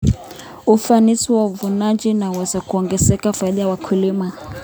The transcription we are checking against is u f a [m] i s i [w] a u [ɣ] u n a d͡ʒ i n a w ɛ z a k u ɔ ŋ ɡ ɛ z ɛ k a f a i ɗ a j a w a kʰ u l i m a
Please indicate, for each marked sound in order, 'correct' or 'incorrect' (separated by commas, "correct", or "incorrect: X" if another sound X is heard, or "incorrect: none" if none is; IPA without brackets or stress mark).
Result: incorrect: n, correct, incorrect: v